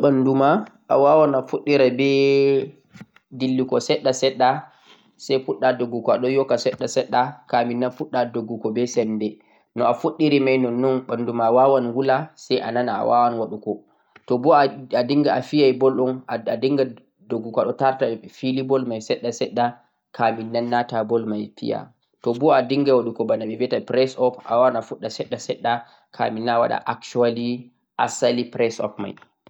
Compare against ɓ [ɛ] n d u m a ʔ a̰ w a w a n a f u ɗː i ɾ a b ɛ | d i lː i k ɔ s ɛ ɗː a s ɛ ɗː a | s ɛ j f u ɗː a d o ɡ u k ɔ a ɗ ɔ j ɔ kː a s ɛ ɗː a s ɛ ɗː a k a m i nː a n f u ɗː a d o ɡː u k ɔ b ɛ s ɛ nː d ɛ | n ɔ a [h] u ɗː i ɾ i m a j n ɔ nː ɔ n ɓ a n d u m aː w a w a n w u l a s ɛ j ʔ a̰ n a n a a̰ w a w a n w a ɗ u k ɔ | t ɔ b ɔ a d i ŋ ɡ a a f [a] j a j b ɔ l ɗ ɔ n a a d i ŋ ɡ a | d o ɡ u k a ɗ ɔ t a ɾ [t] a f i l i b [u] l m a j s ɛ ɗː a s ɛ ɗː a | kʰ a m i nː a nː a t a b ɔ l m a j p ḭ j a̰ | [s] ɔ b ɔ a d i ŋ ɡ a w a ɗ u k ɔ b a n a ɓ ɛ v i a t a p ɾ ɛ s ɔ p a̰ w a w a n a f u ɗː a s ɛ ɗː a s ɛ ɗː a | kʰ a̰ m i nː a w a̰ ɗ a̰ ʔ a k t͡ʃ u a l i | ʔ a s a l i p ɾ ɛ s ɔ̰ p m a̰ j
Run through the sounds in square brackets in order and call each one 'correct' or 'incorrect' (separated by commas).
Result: incorrect, incorrect, incorrect, correct, incorrect, incorrect